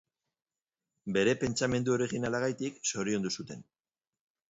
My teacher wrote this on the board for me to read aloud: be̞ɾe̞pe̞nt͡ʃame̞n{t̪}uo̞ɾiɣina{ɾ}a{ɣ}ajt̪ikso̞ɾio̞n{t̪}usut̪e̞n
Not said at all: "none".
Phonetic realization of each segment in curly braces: d̪, l, ɣ, d̪

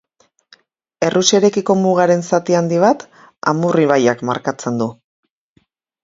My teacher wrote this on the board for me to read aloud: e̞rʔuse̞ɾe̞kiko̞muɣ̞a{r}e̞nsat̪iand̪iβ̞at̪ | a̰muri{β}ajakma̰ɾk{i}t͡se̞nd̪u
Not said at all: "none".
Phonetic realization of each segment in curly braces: ɾ, β, a

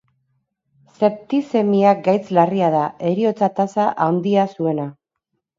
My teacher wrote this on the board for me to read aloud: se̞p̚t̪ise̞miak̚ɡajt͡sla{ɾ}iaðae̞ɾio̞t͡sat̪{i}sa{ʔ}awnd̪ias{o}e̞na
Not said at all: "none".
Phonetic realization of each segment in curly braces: r, a, ʔ, u

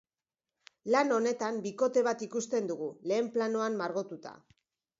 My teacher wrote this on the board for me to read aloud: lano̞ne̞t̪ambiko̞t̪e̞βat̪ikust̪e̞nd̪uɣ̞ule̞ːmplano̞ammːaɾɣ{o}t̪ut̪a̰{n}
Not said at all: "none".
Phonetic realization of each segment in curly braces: o, none

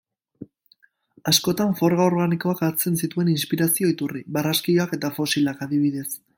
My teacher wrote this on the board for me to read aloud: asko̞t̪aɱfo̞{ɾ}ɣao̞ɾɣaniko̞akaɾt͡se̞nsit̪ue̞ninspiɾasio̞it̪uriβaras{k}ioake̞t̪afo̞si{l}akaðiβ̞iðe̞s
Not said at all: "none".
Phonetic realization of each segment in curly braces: ɾ, k, l

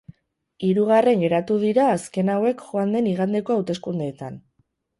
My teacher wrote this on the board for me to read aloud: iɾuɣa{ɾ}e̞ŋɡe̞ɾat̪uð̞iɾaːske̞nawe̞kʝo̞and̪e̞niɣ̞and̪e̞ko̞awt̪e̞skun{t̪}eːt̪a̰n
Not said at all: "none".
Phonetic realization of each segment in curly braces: r, d̪

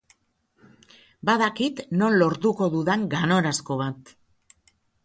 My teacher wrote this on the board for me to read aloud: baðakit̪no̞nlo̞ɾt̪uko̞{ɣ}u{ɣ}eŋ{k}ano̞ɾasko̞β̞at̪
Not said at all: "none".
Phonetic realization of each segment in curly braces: ð, ð, ɡ

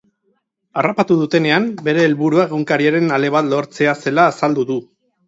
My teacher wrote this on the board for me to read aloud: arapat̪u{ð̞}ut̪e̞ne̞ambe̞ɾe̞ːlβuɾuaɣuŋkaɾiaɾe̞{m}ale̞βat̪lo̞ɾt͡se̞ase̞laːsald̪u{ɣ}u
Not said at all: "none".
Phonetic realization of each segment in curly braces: ð̞, n, ð

